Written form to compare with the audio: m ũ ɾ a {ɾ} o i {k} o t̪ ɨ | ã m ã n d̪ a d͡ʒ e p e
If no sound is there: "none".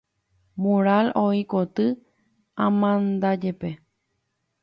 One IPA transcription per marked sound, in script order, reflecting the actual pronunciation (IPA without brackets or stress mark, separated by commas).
l, k